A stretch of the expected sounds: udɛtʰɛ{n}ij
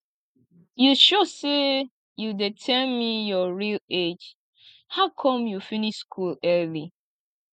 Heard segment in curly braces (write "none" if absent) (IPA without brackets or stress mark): m